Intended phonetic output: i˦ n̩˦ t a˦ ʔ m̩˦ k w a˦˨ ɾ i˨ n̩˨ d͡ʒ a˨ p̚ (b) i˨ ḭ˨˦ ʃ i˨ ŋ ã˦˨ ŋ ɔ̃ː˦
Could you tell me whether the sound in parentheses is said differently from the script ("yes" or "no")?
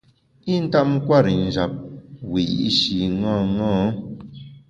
yes